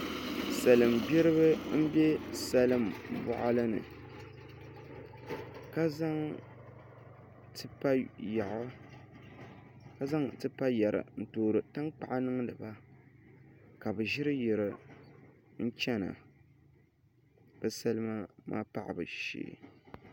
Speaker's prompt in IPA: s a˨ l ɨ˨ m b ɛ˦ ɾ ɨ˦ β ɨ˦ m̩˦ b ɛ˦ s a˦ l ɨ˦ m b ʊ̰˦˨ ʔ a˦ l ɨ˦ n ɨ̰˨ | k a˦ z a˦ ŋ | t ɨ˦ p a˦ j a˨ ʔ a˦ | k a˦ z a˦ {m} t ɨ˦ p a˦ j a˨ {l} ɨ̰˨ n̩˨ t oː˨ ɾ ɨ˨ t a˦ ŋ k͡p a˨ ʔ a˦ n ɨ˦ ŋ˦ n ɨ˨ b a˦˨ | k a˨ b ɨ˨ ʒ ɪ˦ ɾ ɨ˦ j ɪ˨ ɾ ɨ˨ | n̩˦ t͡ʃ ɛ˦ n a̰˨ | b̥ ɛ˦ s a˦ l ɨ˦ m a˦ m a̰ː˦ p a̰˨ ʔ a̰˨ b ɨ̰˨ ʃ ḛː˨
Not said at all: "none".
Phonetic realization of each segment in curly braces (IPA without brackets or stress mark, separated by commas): ŋ, ɾ